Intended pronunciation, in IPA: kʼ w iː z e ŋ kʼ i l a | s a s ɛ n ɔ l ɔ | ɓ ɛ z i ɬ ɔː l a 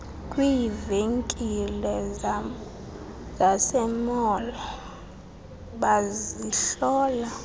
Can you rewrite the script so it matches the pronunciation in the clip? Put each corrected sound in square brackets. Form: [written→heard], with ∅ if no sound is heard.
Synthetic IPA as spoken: kʼ w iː [z→v] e ŋ kʼ i l [a→ɛ] | [s→z] a s ɛ [n→m] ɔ l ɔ | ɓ [ɛ→a] z i ɬ ɔː l a